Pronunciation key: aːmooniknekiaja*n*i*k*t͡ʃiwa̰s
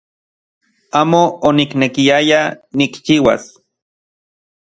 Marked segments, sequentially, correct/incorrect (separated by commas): correct, correct